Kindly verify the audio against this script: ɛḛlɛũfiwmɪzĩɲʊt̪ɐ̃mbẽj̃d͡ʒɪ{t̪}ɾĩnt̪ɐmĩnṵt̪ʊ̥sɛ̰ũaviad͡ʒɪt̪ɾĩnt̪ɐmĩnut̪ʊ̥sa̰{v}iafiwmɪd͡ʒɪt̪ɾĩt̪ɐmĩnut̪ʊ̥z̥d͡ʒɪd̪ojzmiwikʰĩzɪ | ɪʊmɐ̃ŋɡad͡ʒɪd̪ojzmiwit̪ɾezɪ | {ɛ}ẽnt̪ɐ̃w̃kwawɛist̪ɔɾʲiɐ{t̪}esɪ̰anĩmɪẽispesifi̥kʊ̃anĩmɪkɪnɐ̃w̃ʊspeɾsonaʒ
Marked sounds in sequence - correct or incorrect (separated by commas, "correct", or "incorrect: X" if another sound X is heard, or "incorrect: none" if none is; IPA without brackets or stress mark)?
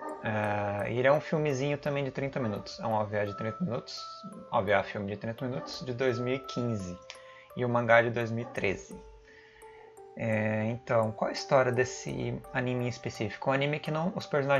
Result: correct, correct, correct, incorrect: d̪